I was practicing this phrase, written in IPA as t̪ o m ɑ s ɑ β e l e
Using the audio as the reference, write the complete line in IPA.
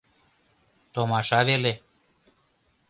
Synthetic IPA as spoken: t̪ o m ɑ ʃ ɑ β e l e

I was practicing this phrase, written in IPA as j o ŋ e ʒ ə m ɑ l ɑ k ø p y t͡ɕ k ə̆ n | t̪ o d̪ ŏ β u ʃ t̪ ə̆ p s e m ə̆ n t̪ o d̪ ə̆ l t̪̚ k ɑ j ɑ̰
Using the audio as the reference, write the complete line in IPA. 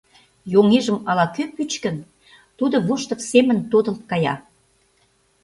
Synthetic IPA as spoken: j o ŋ e ʒ ə m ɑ l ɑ k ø p y t͡ɕ k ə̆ n | t̪ u d̪ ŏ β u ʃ t̪ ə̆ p s e m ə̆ n t̪ o d̪ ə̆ l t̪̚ k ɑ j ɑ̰

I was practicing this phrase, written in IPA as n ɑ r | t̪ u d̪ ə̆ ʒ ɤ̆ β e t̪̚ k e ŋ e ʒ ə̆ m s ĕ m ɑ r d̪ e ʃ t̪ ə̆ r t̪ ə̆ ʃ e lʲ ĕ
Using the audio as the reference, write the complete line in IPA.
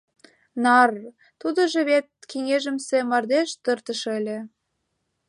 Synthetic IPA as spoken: n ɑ r | t̪ u d̪ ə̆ ʒ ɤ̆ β e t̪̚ k e ŋ e ʒ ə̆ m s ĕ m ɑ r d̪ e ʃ t̪ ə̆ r t̪ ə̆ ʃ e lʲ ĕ

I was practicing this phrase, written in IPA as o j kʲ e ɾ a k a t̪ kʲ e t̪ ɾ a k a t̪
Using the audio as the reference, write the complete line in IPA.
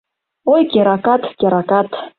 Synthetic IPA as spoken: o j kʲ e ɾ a k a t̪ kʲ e ɾ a k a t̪

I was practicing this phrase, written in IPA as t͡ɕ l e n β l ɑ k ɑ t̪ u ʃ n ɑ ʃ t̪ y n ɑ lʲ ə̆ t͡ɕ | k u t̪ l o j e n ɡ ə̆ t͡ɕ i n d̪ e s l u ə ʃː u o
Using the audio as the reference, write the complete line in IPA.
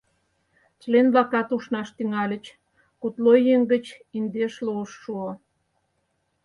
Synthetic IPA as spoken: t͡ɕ l e n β l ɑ k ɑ t̪ u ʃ n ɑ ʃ t̪ y ŋ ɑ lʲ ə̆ t͡ɕ | k u t̪ l o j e ŋ ɡ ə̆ t͡ɕ i n d̪ e ʃ l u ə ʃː u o

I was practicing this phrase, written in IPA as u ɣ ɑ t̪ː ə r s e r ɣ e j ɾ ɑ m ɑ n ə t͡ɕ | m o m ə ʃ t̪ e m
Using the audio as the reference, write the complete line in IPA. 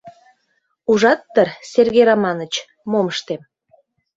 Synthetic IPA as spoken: u ʒ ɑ t̪ː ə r s e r ɣ e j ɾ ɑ m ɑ n ə t͡ɕ | m o m ə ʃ t̪ e m

